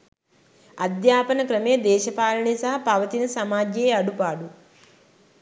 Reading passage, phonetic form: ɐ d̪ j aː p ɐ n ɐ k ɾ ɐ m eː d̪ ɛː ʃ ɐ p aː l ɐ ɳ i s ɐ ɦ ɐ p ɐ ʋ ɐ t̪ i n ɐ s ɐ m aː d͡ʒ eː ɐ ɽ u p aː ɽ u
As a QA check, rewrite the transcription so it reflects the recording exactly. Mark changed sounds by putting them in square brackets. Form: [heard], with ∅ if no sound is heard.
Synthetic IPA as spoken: ɐ d̪ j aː p ɐ n ɐ k ɾ ɐ m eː d̪ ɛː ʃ ɐ p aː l ɐ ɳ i s ɐ ɦ ɐ p ɐ ʋ ɐ t̪ i n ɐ s ɐ m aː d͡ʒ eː ɐ ɽ u p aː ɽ u